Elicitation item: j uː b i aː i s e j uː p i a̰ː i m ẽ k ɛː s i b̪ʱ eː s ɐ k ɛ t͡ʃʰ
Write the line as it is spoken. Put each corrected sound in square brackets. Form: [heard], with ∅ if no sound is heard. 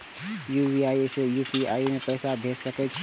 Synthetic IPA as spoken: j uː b i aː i s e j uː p i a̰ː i m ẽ [p] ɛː s [a] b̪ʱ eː s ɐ k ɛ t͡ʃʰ

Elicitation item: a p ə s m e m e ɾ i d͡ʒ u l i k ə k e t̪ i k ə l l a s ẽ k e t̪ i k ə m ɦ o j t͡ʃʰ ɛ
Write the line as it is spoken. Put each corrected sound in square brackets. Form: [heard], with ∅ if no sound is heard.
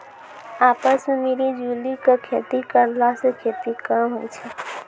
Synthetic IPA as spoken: a p ə s m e m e ɾ i d͡ʒ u l i k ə [kʰ] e t̪ i k ə [ɾ] l a s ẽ [kʰ] e t̪ i k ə m ɦ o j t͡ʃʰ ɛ

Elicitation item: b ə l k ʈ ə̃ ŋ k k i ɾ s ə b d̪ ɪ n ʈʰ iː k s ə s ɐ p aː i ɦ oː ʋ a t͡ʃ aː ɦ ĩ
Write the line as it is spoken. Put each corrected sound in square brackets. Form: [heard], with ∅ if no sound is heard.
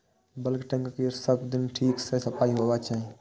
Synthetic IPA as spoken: b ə l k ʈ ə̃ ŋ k k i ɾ s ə b d̪ ɪ n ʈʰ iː k s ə s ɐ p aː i ɦ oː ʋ a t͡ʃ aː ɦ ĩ

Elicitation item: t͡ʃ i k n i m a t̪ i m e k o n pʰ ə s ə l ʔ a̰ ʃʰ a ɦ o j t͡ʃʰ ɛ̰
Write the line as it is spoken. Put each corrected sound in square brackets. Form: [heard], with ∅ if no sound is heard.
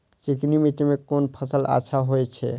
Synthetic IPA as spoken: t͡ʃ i k n i m [i] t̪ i m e k o n pʰ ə s ə l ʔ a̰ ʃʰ a ɦ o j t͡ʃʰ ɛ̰

